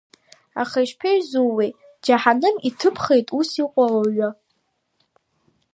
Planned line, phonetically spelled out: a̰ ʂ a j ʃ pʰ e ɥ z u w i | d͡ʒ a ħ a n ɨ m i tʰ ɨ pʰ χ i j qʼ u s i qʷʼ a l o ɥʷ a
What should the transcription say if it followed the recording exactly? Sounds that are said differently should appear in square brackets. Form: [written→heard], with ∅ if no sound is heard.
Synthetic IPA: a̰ [ʂ→χ] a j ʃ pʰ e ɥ z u w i | d͡ʒ a ħ a n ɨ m i tʰ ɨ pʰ χ [i→e] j [qʼ→tʼ] u s i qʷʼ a l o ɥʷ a